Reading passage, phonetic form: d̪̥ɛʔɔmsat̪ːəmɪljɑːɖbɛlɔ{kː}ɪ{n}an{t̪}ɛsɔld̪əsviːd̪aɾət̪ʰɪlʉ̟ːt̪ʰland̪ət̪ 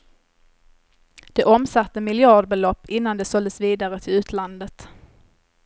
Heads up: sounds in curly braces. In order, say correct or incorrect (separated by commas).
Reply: incorrect, incorrect, incorrect